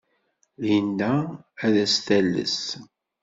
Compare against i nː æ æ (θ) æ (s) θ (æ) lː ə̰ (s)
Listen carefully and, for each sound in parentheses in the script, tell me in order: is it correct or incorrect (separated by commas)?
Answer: incorrect, correct, correct, correct